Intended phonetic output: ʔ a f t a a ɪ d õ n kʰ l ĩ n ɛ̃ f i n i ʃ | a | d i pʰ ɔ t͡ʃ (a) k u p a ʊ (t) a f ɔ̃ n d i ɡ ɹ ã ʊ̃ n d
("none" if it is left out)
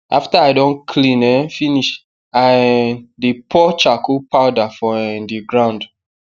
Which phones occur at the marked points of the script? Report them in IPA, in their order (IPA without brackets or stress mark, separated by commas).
a, d